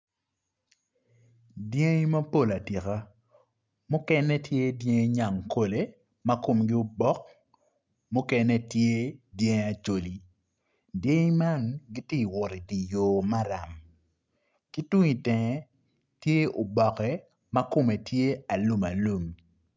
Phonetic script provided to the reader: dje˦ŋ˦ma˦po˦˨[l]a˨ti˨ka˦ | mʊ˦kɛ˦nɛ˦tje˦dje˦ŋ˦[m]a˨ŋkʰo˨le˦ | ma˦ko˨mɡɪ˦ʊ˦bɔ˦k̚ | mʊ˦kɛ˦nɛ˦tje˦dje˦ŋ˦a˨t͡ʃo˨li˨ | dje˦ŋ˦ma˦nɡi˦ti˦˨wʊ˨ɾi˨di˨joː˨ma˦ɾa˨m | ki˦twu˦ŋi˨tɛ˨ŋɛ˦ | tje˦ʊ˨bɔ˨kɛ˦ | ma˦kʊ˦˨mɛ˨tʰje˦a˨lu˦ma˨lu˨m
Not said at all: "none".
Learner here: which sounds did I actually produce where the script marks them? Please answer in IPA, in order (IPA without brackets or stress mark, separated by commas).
l, ɲ